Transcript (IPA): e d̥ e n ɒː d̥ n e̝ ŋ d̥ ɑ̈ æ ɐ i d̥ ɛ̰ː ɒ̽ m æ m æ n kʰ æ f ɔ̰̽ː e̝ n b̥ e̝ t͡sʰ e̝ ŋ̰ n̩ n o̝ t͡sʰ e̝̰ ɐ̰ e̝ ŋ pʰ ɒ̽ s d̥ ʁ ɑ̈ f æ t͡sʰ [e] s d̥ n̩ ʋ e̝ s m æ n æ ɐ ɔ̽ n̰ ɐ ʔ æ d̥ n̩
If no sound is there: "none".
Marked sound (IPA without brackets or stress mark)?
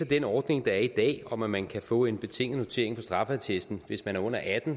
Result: e